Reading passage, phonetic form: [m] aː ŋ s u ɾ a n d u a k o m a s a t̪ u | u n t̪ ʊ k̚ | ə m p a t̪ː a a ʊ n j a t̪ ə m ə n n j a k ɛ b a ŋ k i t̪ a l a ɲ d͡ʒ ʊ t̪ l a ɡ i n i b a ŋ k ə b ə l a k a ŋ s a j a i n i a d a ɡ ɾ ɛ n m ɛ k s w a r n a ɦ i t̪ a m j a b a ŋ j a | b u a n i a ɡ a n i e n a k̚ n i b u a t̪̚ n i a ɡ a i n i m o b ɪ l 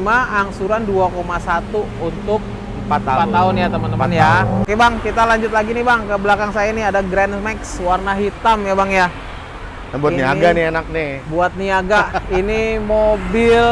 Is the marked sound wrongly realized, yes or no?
no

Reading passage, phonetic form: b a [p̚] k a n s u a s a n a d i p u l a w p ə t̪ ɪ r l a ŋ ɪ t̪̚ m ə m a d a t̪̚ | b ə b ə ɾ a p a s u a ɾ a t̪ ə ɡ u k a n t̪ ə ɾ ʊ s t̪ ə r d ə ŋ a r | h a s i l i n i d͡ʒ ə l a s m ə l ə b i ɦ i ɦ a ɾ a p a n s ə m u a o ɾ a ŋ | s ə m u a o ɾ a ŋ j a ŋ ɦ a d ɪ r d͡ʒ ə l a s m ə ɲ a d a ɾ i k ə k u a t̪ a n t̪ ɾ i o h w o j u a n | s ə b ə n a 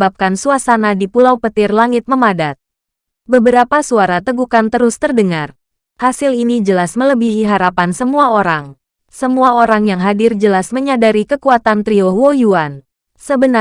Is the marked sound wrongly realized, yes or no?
no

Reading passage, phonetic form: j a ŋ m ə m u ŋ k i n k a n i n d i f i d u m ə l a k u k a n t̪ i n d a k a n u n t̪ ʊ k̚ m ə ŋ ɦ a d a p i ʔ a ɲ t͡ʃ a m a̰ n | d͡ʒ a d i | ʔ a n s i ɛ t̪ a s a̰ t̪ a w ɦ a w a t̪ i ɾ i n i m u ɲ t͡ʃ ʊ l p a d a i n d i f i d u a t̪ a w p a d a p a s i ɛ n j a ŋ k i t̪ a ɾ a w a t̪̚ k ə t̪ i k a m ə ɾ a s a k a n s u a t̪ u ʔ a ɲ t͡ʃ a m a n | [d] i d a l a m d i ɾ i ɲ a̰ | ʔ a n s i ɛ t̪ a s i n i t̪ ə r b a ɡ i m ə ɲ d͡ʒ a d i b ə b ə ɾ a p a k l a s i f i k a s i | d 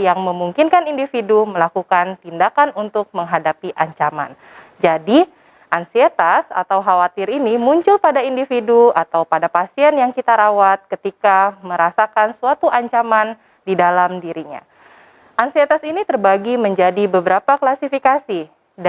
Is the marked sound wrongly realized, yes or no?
no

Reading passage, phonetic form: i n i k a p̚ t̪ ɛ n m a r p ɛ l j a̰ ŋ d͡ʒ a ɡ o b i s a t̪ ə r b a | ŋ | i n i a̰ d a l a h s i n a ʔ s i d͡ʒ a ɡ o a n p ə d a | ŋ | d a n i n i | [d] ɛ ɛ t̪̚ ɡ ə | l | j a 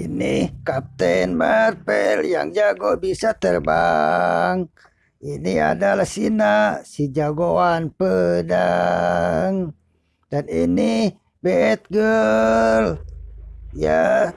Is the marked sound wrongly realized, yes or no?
yes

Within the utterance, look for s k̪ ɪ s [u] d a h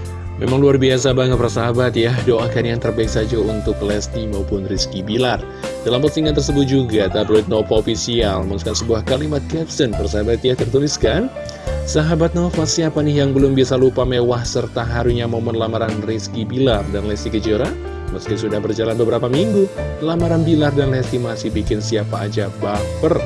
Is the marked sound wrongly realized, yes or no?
no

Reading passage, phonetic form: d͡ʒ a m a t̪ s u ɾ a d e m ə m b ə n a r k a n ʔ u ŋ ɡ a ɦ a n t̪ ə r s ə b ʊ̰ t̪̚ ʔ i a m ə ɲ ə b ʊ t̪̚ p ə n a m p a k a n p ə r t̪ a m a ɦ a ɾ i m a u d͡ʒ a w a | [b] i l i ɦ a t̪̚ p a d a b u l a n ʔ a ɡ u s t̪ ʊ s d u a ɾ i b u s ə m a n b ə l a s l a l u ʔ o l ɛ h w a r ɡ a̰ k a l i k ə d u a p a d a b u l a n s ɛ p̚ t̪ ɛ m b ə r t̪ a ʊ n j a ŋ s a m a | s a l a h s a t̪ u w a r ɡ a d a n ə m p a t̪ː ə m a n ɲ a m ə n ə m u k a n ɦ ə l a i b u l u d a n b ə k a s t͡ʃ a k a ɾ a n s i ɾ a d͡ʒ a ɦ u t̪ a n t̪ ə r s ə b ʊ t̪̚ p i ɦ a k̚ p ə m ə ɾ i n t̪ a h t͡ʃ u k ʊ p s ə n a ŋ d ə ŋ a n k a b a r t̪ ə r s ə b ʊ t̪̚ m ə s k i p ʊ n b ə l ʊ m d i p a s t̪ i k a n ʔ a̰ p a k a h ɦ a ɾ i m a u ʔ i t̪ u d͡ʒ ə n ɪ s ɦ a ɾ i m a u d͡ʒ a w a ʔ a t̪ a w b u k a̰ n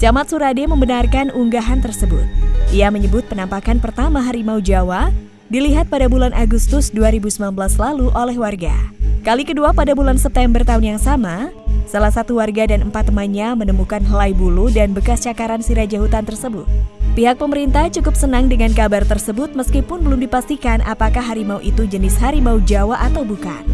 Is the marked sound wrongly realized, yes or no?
yes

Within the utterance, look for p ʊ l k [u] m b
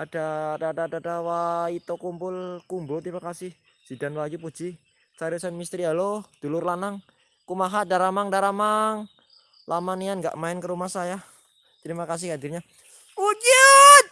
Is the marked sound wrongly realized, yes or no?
no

